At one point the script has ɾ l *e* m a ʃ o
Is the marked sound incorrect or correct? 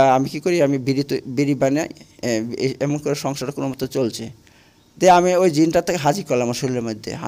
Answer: incorrect